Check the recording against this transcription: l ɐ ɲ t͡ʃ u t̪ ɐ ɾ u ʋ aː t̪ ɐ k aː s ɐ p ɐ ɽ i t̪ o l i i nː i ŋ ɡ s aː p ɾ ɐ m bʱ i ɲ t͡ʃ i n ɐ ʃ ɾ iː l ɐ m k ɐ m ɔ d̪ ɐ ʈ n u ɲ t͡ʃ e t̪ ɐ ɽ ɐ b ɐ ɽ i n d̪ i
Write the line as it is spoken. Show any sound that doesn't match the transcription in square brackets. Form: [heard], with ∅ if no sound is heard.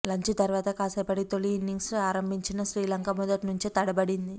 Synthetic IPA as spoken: l ɐ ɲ t͡ʃ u t̪ ɐ ɾ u ʋ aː t̪ ɐ k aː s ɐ p ɐ ɽ i t̪ o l i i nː i ŋ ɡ s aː [∅] ɾ ɐ m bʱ i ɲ t͡ʃ i n ɐ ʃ ɾ iː l ɐ [ŋ] k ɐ m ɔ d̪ ɐ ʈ n u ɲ t͡ʃ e t̪ ɐ ɽ ɐ b ɐ ɽ i n d̪ i